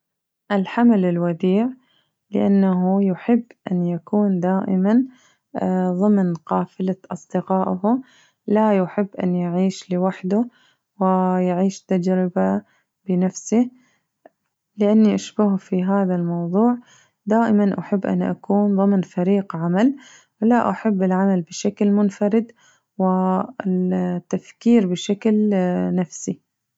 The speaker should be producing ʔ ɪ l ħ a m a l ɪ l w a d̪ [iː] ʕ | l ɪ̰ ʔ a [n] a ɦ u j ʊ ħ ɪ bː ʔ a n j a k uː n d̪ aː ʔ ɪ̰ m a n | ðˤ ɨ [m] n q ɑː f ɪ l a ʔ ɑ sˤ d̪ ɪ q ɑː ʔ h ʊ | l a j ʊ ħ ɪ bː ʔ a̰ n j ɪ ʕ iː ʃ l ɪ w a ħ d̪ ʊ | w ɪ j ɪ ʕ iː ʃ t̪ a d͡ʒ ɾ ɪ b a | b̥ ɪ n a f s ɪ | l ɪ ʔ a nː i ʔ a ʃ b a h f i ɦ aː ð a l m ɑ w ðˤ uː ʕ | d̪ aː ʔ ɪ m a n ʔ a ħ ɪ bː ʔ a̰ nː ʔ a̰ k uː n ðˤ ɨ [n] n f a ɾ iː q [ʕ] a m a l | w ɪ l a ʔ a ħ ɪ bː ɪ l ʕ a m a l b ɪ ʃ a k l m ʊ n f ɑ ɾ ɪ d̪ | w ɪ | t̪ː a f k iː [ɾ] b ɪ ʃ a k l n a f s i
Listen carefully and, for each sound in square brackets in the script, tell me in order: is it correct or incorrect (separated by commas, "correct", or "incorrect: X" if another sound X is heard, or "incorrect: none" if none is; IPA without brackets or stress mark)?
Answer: correct, incorrect: nː, correct, incorrect: m, correct, correct